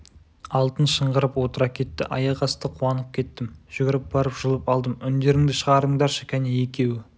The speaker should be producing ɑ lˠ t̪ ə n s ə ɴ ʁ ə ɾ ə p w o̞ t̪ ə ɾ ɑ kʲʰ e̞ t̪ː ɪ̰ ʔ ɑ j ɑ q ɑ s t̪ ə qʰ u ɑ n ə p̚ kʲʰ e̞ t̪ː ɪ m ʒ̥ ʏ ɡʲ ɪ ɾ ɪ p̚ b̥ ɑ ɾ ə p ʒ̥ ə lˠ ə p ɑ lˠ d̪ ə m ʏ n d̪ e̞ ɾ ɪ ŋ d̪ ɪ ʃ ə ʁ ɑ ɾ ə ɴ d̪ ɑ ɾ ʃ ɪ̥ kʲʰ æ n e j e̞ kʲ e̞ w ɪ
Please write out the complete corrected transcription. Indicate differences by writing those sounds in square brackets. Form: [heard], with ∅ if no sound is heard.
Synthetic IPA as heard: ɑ lˠ t̪ ə n [ʃ] ə ɴ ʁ ə ɾ ə p w o̞ t̪ ə ɾ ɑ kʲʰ e̞ t̪ː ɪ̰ ʔ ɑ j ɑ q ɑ s t̪ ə qʰ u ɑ n ə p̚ kʲʰ e̞ t̪ː ɪ m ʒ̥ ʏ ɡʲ ɪ ɾ ɪ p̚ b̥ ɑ ɾ ə p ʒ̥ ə lˠ ə p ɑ lˠ d̪ ə m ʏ n d̪ e̞ ɾ ɪ ŋ d̪ ɪ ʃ ə ʁ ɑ ɾ ə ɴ d̪ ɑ ɾ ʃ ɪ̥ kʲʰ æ n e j e̞ kʲ e̞ w ɪ